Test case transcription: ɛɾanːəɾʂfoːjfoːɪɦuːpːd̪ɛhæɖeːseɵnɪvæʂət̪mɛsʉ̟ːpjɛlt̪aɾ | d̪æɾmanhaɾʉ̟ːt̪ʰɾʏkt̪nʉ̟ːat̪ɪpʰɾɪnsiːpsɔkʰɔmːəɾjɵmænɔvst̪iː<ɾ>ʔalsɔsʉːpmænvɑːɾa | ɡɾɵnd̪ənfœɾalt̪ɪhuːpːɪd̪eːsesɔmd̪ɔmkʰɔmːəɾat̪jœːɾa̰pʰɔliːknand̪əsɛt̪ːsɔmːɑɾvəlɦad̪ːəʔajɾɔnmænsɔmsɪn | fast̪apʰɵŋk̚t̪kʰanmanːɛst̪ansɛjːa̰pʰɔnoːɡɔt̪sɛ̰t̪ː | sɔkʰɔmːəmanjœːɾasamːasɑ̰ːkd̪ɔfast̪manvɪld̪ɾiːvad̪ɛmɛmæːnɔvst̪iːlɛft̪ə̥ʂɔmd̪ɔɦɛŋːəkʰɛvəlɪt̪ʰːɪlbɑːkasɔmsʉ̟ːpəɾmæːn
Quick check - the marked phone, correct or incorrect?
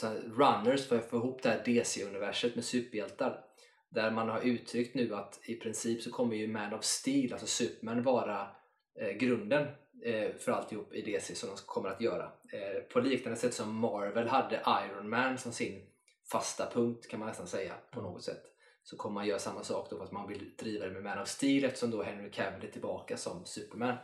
incorrect